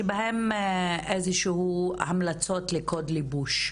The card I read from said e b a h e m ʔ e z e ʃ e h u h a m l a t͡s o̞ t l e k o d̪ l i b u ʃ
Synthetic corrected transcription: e b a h e m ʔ e z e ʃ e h u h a m l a t͡s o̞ t l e k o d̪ l i b u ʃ